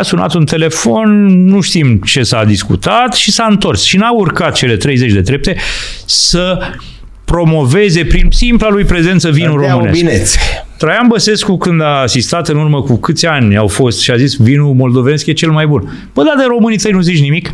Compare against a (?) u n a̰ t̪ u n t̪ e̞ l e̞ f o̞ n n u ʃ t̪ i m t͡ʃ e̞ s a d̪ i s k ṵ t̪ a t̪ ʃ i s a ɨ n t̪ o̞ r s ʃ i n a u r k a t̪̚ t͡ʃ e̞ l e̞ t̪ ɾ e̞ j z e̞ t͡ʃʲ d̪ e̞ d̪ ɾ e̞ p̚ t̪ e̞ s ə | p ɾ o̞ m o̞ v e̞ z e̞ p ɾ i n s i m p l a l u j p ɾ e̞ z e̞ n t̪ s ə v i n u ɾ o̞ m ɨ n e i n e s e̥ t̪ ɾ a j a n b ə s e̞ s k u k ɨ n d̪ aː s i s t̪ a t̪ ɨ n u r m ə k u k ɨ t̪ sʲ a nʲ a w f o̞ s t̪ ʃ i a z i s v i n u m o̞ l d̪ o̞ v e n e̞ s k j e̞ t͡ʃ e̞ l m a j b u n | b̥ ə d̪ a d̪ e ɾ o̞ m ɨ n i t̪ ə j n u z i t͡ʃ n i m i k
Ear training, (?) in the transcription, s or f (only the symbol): s